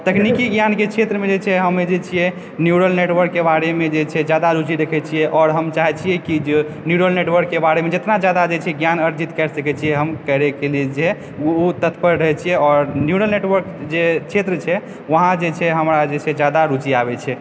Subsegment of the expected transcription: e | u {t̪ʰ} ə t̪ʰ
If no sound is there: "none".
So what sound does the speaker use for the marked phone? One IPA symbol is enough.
t̪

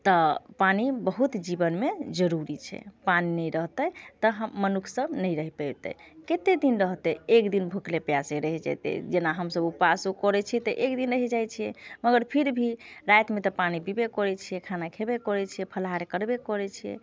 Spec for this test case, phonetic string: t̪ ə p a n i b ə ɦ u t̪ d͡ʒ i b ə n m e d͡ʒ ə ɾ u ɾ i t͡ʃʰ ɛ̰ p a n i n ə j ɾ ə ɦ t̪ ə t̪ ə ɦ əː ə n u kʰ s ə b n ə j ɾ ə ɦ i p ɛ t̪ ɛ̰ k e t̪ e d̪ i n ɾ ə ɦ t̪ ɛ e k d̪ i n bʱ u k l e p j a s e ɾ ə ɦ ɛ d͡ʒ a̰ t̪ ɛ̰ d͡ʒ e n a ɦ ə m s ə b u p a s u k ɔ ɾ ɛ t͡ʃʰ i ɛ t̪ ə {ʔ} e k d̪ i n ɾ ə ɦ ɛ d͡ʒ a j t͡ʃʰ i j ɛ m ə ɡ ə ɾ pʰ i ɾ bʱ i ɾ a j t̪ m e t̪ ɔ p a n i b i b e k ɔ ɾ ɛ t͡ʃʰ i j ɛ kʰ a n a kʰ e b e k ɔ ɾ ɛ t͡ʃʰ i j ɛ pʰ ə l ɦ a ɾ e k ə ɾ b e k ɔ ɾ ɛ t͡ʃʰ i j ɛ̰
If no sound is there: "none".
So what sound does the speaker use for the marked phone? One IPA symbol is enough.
ʔ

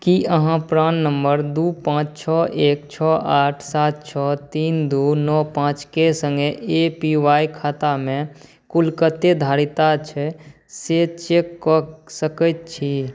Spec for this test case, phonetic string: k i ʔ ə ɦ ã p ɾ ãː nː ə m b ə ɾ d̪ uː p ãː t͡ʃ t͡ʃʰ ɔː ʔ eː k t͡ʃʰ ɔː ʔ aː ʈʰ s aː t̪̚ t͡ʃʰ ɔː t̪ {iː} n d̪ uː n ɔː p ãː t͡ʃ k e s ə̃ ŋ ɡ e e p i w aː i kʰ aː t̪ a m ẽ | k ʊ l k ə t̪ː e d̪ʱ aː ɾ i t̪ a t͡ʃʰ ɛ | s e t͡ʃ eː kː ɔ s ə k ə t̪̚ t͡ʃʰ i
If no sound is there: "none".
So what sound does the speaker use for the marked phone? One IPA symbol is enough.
iː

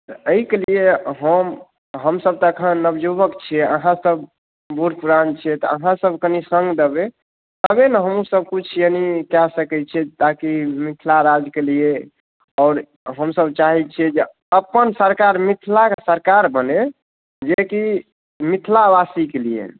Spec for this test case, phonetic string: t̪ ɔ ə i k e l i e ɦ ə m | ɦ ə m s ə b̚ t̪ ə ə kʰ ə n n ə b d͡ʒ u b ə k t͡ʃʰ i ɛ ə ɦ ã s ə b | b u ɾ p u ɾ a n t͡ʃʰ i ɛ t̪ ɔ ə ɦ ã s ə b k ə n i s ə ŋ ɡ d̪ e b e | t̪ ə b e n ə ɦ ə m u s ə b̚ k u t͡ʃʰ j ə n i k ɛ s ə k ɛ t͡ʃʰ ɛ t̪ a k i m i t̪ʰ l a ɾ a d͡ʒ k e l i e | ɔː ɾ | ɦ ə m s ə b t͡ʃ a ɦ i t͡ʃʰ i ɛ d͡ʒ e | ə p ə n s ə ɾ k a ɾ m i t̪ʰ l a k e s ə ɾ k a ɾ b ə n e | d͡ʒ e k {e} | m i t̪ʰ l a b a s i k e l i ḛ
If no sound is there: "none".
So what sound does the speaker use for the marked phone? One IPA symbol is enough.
i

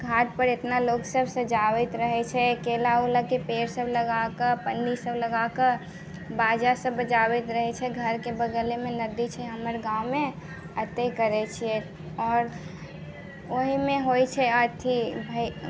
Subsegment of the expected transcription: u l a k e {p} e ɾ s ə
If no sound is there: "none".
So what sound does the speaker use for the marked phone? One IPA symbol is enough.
p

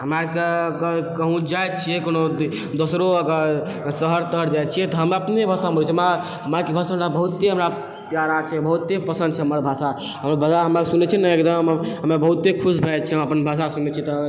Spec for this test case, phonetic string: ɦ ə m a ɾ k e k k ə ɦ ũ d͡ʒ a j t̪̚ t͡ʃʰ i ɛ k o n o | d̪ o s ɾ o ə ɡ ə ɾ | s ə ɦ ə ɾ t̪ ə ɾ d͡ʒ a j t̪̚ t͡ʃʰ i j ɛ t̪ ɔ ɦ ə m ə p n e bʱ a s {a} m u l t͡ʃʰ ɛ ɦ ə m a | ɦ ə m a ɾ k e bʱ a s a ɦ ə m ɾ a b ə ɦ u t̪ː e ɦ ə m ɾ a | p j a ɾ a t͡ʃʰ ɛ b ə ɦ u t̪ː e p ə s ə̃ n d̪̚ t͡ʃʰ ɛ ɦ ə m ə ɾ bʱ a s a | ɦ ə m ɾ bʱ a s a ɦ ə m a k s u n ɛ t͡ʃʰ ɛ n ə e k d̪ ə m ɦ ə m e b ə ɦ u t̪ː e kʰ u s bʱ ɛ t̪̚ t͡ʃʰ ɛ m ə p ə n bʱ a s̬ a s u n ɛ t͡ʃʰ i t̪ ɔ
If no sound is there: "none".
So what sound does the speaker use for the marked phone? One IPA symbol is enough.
a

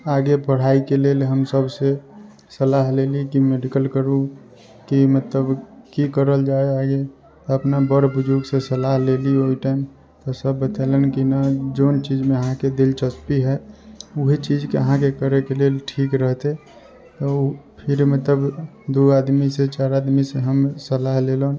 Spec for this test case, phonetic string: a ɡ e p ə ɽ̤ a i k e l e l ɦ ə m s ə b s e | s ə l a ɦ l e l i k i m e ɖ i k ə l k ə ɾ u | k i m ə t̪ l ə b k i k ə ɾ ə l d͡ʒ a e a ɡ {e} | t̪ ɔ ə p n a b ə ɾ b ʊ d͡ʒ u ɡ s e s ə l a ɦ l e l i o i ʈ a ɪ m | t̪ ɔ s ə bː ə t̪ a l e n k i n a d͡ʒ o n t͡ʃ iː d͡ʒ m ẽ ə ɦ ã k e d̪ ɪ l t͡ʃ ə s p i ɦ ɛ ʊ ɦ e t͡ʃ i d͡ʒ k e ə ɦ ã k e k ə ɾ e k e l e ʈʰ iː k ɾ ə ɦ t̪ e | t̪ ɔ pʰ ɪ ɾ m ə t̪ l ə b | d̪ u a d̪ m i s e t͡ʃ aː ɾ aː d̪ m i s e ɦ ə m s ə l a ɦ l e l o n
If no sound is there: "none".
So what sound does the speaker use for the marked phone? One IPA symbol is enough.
e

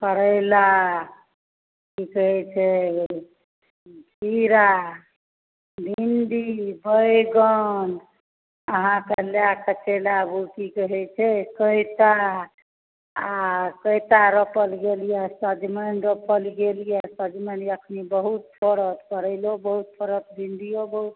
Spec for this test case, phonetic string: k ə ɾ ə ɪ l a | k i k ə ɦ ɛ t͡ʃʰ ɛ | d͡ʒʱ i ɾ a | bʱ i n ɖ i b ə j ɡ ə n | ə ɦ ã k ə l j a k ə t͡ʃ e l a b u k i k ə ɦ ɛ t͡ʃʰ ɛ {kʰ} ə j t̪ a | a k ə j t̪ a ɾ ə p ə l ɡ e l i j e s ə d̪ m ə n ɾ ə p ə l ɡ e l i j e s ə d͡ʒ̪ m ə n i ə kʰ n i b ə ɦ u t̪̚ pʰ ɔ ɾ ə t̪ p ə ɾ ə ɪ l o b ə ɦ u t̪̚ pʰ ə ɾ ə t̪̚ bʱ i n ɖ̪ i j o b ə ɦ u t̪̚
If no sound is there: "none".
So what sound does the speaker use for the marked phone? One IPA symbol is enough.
k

